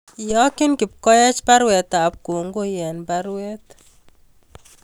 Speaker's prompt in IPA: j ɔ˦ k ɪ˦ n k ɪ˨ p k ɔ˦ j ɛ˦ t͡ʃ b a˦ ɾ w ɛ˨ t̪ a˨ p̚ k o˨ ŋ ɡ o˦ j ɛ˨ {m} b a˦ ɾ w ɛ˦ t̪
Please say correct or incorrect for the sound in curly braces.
incorrect